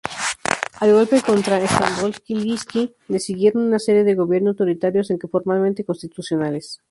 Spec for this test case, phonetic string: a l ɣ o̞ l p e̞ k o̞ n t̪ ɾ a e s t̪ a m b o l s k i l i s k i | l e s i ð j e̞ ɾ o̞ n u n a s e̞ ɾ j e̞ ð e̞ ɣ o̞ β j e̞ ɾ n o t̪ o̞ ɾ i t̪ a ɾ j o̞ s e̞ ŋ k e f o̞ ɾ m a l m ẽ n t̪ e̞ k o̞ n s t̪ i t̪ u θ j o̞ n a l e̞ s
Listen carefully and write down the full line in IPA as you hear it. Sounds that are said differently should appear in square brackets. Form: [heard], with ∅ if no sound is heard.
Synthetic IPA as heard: a l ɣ o̞ l p e̞ k o̞ n t̪ ɾ a e s t̪ a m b o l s k i l i s k i | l e s i [ɣ] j e̞ ɾ o̞ n u n a s e̞ ɾ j e̞ ð e̞ ɣ o̞ β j e̞ ɾ n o t̪ o̞ ɾ i t̪ a ɾ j o̞ s e̞ ŋ k e f o̞ ɾ m a l m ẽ n t̪ e̞ k o̞ n s t̪ i t̪ u [s] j o̞ n a l e̞ s